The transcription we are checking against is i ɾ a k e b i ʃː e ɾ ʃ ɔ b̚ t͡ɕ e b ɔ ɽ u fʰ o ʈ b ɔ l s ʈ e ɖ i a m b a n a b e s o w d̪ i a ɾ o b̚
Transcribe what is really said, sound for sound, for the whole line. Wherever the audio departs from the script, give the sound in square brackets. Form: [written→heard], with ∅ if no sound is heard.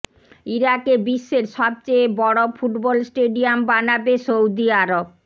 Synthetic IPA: i ɾ a k e b i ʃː e ɾ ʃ ɔ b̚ t͡ɕ e b ɔ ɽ [u→o] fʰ [o→u] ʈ b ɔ l s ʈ e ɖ i a m b a n a b e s o w d̪ i a ɾ o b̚